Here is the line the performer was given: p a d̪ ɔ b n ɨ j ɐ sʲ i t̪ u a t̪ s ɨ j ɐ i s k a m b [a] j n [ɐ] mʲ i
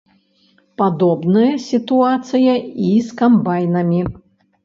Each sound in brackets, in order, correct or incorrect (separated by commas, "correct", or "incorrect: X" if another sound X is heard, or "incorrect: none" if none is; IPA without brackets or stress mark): correct, correct